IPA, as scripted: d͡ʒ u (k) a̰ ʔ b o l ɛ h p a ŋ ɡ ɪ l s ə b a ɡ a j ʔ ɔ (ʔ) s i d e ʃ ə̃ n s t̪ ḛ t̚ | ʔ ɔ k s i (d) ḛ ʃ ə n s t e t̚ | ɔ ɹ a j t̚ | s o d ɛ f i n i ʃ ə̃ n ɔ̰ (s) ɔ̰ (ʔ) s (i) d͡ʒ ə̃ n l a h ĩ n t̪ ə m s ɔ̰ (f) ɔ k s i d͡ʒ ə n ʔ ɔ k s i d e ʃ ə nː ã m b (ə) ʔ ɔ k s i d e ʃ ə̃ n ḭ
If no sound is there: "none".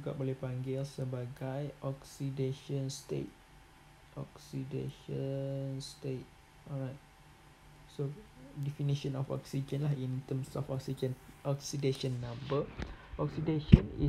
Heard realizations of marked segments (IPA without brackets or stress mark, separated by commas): ɡ, k, d, f, k, i, f, ə